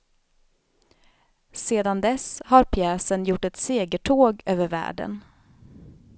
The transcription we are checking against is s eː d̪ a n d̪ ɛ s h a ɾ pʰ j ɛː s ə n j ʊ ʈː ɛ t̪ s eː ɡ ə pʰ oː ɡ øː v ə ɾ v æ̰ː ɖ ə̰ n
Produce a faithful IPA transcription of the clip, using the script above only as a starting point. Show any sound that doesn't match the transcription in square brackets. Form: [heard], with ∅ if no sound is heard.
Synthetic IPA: s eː d̪ a n d̪ ɛ s h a ɾ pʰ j ɛː s ə n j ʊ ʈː ɛ t̪ s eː ɡ ə [ʈʰ] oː ɡ øː v ə ɾ v æ̰ː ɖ ə̰ n